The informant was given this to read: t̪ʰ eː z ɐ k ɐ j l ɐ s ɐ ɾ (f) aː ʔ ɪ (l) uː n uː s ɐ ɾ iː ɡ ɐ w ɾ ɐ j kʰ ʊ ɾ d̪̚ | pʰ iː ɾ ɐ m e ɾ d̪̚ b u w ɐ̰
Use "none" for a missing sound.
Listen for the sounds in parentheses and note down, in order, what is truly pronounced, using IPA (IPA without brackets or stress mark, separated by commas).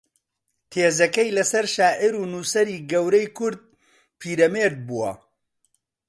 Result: ʃ, ɾ